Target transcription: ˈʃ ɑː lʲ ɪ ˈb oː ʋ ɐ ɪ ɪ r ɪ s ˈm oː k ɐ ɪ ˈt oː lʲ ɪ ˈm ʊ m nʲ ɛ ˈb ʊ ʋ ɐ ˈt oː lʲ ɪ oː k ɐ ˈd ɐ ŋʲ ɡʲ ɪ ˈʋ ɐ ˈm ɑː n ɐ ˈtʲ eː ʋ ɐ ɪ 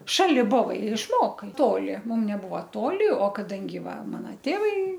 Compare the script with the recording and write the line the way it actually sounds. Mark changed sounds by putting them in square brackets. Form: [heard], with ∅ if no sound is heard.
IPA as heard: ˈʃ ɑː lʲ ɪ ˈb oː ʋ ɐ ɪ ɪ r ɪ [ʃ] ˈm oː k ɐ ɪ ˈt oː lʲ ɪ ˈm ʊ m nʲ ɛ ˈb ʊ ʋ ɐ ˈt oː lʲ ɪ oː k ɐ ˈd ɐ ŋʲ ɡʲ ɪ ˈʋ ɐ ˈm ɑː n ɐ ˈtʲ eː ʋ ɐ ɪ